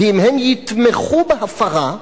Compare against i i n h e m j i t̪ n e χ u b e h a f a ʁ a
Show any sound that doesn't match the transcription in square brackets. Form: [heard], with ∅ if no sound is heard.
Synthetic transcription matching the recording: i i [m] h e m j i t̪ [m] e χ u b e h a f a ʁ a